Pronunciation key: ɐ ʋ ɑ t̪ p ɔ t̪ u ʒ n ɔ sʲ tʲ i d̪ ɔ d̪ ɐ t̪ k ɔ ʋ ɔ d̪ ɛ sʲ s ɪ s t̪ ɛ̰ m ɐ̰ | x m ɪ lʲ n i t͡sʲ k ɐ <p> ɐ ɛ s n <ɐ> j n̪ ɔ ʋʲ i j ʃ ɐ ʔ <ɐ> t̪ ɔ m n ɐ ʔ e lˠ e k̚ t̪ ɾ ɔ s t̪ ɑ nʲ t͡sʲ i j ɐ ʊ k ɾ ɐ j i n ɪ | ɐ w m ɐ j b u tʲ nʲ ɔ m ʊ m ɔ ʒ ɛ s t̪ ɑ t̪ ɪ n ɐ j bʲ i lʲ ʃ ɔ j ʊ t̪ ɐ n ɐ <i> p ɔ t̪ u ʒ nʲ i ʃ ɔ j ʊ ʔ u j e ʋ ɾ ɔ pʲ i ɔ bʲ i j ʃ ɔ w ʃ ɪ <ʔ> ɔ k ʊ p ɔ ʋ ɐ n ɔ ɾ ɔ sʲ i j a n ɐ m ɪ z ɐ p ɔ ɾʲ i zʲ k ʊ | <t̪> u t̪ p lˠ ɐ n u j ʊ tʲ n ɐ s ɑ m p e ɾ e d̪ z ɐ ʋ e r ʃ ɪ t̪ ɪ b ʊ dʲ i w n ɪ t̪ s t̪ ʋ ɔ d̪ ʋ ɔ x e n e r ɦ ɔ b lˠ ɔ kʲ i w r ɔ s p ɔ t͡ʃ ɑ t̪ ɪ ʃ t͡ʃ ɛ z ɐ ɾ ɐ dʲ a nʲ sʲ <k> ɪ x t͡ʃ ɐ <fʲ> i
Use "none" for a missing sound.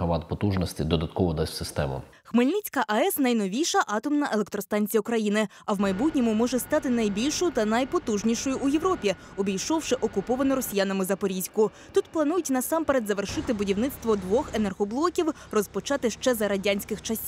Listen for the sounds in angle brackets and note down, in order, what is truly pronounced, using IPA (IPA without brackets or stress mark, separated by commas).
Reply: ʔ, ɐ, ɑ, j, ʔ, t̪, k, sʲ